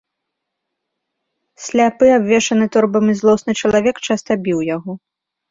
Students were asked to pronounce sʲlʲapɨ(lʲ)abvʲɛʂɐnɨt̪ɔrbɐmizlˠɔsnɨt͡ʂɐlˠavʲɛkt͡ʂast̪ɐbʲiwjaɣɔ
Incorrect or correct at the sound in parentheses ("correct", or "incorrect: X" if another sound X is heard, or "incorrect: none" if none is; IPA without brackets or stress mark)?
incorrect: none